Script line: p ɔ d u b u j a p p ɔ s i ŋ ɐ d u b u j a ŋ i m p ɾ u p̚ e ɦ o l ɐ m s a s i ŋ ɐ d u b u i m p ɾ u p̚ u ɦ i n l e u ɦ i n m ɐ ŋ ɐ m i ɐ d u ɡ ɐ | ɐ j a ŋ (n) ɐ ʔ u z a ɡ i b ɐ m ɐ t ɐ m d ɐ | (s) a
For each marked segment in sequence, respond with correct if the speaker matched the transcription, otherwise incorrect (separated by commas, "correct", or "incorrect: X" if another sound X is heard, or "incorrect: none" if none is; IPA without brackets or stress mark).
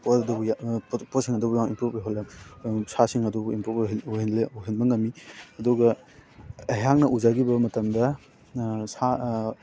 correct, correct